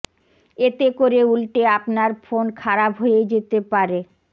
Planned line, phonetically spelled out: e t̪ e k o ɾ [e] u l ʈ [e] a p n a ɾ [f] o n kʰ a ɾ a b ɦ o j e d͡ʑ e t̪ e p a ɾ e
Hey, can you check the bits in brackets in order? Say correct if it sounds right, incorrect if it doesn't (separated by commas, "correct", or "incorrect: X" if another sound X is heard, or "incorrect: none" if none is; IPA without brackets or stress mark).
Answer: correct, correct, correct